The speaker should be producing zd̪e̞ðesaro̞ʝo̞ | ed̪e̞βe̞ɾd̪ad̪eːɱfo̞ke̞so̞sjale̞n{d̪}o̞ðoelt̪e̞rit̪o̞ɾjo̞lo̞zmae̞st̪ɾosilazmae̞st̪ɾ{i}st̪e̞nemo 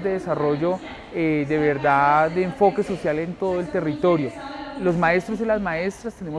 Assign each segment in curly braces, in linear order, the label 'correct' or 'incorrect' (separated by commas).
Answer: incorrect, incorrect